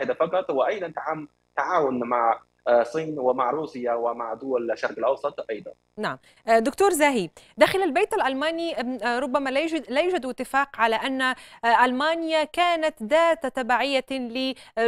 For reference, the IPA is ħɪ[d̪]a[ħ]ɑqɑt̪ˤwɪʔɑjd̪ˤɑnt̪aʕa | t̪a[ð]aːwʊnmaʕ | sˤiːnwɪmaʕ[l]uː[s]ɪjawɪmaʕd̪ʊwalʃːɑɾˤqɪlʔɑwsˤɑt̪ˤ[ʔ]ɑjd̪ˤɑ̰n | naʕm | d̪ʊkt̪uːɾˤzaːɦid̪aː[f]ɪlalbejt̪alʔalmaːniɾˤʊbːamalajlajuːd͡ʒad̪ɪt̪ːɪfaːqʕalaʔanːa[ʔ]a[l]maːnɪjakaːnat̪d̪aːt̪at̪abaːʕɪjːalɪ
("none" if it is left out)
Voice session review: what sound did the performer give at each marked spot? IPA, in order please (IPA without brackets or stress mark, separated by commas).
d̪, f, ʕ, ɾ, s, ʔ, x, ʔ, l